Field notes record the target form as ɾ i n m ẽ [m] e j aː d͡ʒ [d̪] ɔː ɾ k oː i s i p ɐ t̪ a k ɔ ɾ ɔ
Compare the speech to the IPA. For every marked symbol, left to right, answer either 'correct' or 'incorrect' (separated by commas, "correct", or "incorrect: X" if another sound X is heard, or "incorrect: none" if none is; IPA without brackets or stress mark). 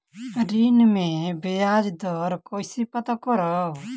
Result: incorrect: b, correct